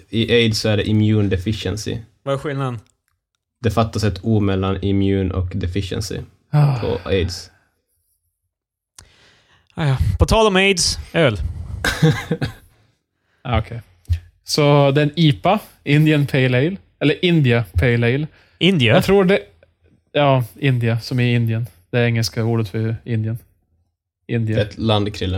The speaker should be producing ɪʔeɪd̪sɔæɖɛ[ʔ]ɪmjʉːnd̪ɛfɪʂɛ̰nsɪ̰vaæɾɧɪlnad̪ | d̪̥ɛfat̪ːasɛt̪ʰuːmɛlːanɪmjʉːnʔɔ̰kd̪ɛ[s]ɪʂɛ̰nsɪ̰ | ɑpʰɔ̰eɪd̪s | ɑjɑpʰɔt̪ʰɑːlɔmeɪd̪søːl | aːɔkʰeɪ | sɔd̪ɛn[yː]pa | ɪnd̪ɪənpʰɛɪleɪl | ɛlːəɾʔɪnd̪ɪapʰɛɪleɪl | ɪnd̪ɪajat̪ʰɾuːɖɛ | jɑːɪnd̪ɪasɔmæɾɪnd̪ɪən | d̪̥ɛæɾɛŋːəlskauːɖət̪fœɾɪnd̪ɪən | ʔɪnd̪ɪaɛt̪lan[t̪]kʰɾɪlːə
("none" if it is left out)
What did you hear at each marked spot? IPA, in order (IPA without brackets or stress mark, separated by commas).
ʔ, f, iː, d̪